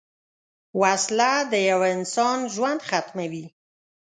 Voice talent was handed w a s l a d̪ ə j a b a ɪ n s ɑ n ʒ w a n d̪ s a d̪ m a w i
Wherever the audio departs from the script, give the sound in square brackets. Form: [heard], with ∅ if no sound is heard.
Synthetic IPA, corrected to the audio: w a s l a d̪ ə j a [w] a ɪ n s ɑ n ʒ w a n d̪ [x] a [t̪] m a w i